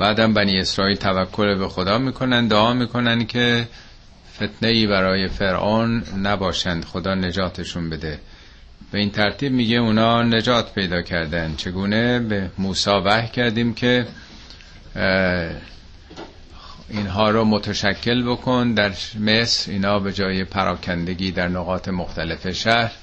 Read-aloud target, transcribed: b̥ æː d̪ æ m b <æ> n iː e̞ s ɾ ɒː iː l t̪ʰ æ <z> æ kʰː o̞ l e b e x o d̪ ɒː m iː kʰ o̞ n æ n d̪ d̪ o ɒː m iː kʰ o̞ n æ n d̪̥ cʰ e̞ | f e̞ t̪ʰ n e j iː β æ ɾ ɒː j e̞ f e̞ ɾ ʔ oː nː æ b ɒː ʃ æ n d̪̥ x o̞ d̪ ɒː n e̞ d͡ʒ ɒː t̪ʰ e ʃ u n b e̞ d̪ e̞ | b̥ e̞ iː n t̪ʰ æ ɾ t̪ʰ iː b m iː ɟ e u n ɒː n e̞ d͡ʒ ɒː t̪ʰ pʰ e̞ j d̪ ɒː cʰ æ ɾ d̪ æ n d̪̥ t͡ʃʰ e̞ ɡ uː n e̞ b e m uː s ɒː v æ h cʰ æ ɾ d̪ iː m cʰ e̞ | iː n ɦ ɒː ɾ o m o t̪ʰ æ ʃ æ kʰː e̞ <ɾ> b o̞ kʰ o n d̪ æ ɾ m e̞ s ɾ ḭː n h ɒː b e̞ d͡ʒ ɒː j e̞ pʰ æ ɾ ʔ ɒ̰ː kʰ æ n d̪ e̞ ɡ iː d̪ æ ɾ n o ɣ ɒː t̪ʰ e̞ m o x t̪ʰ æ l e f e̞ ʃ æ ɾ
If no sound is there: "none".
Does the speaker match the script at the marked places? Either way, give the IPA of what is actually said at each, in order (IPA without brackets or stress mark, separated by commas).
æ, v, l